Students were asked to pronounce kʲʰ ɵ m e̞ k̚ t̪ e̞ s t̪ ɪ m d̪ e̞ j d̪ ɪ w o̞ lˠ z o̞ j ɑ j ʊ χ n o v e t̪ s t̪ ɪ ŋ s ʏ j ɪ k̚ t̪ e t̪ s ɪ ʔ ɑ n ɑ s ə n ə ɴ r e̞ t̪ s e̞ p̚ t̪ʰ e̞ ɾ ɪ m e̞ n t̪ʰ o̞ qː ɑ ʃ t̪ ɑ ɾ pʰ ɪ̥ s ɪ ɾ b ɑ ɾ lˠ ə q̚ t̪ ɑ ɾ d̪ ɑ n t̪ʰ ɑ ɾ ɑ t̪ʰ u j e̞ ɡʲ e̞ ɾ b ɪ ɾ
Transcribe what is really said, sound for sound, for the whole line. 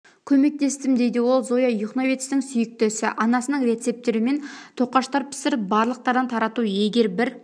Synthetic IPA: kʲʰ ɵ m e̞ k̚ t̪ e̞ s t̪ ɪ m d̪ e̞ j d̪ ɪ w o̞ lˠ z o̞ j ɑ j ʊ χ n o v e t̪ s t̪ ɪ ŋ s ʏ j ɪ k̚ t̪ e s ɪ ʔ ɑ n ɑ s ə n ə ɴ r e̞ t̪ s e̞ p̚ t̪ e̞ ɾ ɪ m e̞ n t̪ʰ o̞ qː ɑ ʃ t̪ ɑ ɾ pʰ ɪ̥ s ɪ ɾ b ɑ ɾ lˠ ə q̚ t̪ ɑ ɾ d̪ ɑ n t̪ʰ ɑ ɾ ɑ t̪ u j e̞ ɡʲ e̞ ɾ b ɪ ɾ

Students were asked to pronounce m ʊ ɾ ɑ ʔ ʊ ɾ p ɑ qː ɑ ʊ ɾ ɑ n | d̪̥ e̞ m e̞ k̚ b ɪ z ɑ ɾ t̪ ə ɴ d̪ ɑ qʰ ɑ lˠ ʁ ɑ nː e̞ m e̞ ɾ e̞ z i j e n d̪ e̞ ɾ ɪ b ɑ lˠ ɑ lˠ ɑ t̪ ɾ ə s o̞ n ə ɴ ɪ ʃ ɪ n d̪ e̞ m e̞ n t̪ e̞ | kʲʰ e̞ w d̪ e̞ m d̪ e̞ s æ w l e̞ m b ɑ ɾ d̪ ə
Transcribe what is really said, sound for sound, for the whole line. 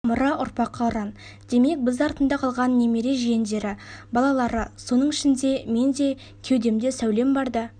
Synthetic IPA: m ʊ ɾ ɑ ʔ ʊ ɾ p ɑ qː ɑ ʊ ɾ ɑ n | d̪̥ e̞ m e̞ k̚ b ɪ z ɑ ɾ t̪ ə n d̪ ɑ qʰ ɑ lˠ ʁ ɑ nː e̞ m e̞ ɾ e̞ ʒ i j e n d̪ e̞ ɾ ɪ b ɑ lˠ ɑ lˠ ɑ ɾ ə s o̞ n ə ɴ ɪ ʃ ɪ n d̪ e̞ m e̞ n d̪ e̞ | kʲʰ e̞ w d̪ e̞ m d̪ e̞ s æ w l e̞ m b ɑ ɾ d̪ ə

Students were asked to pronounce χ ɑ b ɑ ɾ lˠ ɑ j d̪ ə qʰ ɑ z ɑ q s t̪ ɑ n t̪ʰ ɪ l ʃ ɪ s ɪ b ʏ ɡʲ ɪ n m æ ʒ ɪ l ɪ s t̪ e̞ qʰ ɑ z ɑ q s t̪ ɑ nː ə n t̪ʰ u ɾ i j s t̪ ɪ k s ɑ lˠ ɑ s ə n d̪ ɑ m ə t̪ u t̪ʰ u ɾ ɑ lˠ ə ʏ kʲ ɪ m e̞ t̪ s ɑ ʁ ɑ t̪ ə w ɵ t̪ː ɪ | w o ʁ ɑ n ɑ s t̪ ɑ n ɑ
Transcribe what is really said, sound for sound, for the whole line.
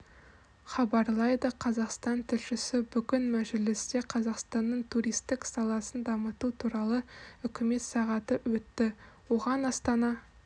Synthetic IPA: χ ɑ b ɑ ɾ lˠ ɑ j d̪ ə qʰ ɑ z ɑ q s t̪ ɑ n t̪ʰ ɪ l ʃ ɪ s ɪ b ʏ ɡʲ ɪ n m æ ʒ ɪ l ɪ s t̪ e̞ qʰ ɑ z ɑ q s t̪ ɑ nː ə ɴ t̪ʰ u ɾ i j s t̪ ɪ k s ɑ lˠ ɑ s ə n d̪ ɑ m ə t̪ u t̪ʰ u ɾ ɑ lˠ ə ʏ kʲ ɪ m e̞ t̪ s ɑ ʁ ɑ t̪ ə w ɵ t̪ː ɪ | w o ʁ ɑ n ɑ s t̪ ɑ n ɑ

